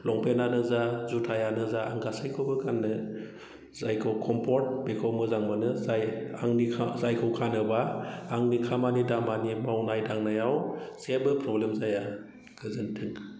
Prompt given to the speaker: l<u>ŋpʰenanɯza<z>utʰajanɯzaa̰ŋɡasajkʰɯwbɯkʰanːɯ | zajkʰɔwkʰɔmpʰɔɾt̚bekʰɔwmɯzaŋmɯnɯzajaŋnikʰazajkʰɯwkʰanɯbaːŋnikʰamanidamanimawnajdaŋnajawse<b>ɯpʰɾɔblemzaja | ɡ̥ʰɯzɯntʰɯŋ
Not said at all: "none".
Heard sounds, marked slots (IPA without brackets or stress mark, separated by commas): ɔ, z, b